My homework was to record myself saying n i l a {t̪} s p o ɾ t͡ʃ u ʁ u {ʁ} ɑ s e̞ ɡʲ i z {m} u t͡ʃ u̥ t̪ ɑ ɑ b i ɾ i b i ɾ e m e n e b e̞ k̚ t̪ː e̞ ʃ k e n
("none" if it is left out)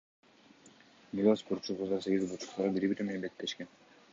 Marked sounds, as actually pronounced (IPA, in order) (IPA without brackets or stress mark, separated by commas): none, z, b